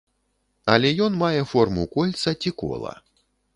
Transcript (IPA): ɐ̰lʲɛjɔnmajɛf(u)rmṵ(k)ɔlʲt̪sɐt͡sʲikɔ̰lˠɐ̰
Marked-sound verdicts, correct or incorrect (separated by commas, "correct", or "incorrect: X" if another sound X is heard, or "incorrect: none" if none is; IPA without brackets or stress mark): incorrect: ɔ, correct